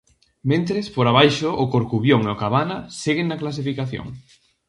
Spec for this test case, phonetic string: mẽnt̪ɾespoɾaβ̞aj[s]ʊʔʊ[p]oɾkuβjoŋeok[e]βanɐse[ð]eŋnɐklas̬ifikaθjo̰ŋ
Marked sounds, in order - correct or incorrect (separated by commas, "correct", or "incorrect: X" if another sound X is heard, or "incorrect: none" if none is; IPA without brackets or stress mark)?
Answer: incorrect: ʃ, incorrect: k, incorrect: a, incorrect: ɣ